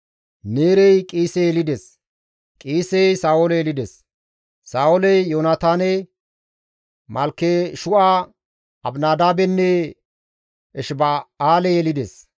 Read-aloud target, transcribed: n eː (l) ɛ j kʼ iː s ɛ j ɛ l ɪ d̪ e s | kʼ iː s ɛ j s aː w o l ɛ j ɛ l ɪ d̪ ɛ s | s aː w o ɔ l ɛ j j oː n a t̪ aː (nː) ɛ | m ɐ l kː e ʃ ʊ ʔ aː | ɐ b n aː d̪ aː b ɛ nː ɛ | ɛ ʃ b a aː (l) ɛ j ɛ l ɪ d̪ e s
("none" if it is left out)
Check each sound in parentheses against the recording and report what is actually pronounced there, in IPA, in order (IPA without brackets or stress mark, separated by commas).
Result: ɾ, n, l